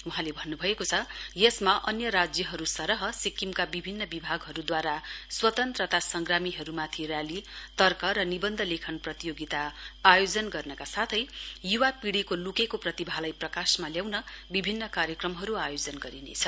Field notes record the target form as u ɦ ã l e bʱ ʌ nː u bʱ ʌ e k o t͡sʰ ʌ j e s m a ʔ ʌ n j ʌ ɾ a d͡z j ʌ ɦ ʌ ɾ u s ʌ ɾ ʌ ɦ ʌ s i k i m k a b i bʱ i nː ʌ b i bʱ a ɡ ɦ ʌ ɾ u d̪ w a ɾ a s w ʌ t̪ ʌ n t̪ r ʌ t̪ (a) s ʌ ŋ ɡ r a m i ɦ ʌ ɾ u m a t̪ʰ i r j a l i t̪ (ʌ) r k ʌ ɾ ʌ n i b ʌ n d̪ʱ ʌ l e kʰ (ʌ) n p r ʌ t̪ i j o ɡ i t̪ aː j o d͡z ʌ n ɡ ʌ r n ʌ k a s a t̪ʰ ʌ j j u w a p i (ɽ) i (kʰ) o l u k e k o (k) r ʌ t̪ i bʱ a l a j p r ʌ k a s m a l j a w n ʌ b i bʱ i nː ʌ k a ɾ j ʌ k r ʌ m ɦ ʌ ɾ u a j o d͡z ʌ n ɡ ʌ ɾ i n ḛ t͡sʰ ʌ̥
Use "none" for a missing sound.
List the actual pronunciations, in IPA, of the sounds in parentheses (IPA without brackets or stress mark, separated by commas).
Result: a, ʌ, ʌ, ɽ, k, p